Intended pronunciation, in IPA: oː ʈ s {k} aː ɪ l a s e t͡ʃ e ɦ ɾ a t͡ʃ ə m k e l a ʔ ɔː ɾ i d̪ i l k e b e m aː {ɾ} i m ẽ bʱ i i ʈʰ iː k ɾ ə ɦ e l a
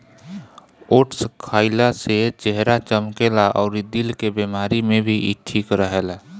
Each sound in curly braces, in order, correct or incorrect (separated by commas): incorrect, correct